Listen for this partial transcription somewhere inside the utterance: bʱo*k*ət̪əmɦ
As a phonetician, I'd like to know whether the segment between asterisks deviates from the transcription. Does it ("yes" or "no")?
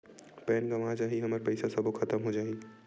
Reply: yes